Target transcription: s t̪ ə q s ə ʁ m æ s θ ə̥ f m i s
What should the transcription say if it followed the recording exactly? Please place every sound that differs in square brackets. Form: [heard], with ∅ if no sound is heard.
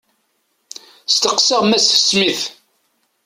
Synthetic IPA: s t̪ ə q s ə ʁ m æ s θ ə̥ [s] m i [θ]